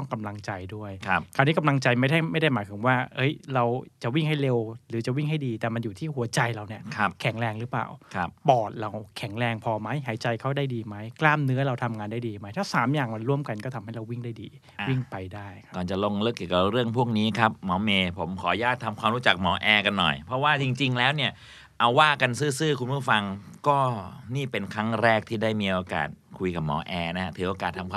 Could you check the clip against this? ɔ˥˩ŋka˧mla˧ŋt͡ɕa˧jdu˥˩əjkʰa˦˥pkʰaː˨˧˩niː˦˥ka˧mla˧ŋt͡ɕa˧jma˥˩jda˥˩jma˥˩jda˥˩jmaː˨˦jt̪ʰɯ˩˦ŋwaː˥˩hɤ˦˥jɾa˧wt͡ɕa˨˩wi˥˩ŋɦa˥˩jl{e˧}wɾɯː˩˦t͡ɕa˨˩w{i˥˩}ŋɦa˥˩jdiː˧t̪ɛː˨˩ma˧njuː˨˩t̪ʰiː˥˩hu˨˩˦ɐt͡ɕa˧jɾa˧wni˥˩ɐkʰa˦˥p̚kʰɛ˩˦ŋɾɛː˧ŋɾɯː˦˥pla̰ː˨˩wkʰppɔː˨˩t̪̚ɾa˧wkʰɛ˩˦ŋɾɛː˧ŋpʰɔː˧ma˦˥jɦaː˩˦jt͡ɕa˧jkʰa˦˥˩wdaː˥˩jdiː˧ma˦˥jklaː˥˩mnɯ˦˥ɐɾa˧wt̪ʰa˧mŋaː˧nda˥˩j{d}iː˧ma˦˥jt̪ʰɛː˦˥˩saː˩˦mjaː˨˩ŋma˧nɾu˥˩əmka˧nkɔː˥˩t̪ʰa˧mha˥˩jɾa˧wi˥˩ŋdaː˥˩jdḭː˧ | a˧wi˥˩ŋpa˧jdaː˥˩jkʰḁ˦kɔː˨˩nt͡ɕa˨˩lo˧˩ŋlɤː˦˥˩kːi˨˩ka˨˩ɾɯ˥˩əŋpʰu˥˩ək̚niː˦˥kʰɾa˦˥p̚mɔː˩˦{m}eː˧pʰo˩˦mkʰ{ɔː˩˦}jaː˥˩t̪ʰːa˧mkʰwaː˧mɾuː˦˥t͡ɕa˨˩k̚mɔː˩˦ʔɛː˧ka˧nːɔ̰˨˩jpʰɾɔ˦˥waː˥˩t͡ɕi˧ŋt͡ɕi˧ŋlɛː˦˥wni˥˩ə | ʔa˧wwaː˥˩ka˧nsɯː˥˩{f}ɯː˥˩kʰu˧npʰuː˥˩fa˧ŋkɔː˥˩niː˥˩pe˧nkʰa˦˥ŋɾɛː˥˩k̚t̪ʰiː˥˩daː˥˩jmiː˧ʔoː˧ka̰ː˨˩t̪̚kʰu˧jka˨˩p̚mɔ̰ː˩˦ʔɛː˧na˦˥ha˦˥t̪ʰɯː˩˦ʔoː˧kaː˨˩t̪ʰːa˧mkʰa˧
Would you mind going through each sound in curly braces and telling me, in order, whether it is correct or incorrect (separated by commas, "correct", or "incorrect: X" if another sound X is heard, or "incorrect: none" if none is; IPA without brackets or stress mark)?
correct, correct, correct, correct, correct, incorrect: s